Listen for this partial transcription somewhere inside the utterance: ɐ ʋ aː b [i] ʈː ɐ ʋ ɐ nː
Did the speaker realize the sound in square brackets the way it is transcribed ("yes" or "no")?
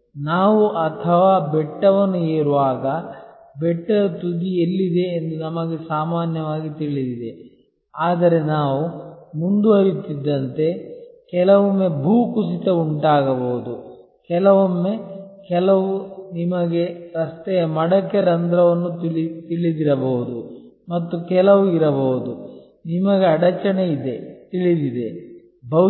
no